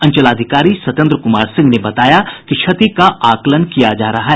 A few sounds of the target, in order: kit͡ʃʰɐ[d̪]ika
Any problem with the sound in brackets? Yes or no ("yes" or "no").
yes